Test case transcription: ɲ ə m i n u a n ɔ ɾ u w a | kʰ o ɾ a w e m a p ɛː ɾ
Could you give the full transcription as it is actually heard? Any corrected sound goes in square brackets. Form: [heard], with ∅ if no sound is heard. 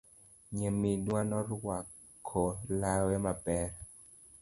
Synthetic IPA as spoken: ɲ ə m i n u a n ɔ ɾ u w a | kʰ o [l] a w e m a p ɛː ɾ